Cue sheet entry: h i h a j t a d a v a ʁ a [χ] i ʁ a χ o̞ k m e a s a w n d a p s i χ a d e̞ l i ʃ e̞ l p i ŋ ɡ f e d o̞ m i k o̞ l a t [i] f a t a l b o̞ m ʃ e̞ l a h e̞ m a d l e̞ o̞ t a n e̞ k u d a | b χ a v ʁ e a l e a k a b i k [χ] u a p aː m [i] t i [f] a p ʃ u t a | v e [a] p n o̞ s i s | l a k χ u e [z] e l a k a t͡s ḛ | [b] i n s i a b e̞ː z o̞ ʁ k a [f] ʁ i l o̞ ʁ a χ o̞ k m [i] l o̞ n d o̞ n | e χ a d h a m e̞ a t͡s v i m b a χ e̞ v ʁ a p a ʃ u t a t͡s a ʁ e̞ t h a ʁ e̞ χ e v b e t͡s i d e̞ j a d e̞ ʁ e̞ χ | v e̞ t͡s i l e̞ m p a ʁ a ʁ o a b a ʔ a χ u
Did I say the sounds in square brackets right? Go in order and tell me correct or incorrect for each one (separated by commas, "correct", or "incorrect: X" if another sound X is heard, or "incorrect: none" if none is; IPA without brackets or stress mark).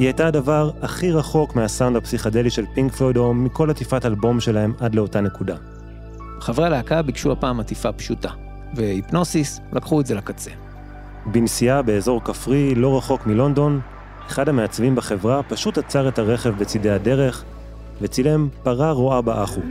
correct, correct, incorrect: ʃ, incorrect: a, correct, incorrect: i, correct, correct, correct, correct